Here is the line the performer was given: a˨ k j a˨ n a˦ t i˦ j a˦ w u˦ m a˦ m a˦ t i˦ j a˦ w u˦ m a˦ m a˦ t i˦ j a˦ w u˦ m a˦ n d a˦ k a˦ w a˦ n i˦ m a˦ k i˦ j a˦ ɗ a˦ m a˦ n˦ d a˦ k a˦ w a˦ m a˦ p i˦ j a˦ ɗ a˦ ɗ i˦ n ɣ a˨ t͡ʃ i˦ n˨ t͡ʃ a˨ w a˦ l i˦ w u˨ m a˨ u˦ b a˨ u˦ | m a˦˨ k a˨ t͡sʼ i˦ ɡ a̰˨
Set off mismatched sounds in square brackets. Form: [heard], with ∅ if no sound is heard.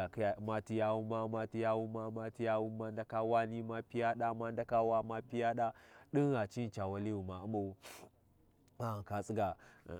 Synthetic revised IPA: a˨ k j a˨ [m] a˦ t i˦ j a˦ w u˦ m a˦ m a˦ t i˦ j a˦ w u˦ m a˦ m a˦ t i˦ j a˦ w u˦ m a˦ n d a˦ k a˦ w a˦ n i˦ m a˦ [p] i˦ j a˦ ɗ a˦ m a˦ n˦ d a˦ k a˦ w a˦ m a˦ p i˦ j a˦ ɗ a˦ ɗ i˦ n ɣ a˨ t͡ʃ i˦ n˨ t͡ʃ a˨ w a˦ l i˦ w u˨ m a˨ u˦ [m] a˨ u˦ | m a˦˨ k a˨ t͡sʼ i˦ ɡ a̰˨

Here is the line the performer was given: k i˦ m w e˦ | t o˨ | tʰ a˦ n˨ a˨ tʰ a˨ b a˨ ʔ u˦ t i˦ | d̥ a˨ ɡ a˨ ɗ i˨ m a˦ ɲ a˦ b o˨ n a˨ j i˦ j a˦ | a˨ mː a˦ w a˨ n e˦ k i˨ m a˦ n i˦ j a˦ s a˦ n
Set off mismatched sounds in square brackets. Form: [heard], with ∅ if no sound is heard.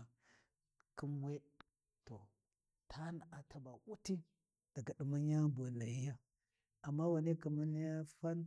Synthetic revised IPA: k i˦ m w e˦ | t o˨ | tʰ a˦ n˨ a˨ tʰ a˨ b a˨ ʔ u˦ t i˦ | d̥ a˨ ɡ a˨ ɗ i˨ m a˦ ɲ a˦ b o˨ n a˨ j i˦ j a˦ | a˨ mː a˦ w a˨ n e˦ k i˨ m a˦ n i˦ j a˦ [f] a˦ n

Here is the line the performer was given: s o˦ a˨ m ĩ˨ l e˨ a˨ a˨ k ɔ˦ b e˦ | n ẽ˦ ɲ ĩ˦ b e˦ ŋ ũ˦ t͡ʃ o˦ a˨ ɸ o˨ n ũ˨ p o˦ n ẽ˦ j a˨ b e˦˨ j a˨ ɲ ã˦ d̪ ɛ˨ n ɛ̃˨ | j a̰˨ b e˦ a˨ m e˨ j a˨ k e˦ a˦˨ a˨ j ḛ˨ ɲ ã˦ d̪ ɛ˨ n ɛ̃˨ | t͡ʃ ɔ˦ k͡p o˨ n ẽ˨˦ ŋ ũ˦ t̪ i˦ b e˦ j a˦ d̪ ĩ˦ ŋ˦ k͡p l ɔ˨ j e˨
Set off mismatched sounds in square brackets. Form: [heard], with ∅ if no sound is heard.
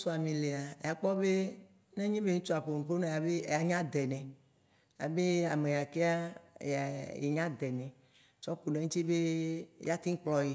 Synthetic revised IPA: s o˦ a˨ m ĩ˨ l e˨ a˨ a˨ [k͡p] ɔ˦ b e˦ | n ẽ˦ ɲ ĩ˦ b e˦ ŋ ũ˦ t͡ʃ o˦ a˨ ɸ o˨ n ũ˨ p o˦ n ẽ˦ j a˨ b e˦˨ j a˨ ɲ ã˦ d̪ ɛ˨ n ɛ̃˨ | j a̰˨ b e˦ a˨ m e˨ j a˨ k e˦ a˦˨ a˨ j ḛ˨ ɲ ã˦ d̪ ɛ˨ n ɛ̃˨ | t͡ʃ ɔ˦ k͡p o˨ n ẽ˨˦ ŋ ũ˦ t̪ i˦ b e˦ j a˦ [t̪] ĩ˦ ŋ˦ k͡p l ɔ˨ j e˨

